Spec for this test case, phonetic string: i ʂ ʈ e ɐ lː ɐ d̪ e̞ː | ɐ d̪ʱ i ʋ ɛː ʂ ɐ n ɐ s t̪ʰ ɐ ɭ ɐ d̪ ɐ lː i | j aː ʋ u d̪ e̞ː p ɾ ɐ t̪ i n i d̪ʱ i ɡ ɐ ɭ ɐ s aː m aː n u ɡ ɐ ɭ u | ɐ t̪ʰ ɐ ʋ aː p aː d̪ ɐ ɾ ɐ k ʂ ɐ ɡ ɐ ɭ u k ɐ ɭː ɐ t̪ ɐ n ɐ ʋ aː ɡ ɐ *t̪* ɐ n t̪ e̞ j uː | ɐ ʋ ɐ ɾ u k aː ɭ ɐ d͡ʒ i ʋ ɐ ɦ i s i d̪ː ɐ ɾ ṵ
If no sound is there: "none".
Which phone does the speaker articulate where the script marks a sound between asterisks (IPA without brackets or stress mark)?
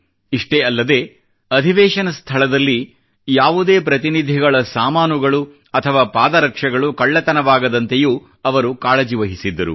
d̪